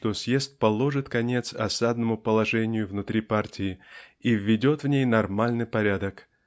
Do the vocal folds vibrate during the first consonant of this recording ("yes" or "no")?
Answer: no